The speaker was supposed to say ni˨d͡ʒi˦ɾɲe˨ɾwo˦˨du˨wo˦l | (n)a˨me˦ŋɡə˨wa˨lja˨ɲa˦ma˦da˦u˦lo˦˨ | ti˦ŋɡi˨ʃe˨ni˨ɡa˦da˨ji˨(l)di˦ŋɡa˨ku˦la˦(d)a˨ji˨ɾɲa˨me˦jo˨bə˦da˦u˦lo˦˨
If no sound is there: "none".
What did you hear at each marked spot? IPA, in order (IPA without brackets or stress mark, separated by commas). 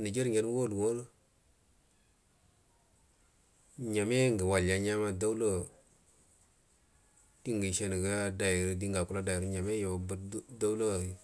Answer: ɲ, ɾ, d